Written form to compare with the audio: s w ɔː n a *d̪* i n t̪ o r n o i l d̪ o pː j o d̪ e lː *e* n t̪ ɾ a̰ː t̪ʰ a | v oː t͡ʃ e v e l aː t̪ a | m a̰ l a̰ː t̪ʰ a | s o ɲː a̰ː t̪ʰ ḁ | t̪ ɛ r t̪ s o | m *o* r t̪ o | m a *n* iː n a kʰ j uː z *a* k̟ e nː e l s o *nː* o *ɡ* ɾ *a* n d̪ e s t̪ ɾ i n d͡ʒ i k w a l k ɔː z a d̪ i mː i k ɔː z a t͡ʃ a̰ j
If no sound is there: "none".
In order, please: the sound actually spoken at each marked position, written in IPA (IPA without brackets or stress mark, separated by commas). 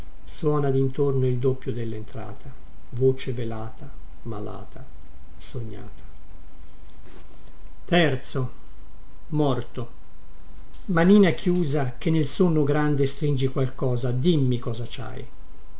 d̪, e, ɔ, n, a, nː, ɡ, a